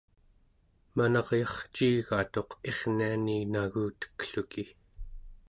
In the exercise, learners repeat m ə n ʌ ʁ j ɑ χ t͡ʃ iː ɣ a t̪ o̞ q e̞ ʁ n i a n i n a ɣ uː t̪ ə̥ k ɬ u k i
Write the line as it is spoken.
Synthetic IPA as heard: m a n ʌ ʁ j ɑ χ t͡ʃ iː ɣ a t̪ o̞ q e̞ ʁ n i a n i n a ɣ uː t̪ ə̥ k ɬ u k i